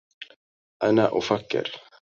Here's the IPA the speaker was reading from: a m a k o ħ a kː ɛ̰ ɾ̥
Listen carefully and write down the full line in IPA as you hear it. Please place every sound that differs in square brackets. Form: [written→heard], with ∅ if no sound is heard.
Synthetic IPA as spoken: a [m→n] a [k→ʔ] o [ħ→f] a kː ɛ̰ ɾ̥